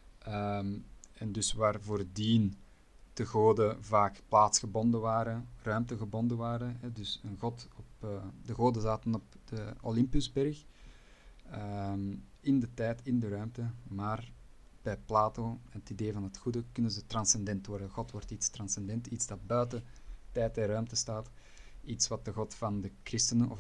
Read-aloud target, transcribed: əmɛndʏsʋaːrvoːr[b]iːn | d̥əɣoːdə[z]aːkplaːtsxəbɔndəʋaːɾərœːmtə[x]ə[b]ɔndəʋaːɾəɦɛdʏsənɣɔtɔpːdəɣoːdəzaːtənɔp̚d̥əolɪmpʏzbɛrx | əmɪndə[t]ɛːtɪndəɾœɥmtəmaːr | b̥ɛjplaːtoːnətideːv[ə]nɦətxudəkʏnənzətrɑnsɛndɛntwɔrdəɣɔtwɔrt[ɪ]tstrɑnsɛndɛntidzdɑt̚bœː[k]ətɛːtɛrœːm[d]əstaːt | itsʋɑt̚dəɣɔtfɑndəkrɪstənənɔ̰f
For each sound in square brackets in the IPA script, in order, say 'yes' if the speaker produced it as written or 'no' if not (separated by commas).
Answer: no, no, no, yes, yes, no, no, no, no